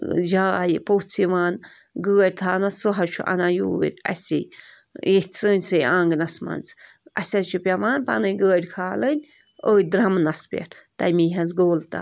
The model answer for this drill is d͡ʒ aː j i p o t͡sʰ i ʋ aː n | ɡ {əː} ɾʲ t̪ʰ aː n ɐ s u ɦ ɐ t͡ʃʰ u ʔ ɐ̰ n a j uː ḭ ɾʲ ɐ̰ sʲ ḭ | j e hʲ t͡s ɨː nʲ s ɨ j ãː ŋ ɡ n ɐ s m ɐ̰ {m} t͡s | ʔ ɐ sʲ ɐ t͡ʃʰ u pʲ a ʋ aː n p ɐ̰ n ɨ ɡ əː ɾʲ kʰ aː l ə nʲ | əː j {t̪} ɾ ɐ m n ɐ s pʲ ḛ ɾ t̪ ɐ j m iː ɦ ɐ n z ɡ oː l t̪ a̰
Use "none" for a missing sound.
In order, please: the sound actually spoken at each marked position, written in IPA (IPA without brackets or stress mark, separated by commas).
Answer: əː, n, d̪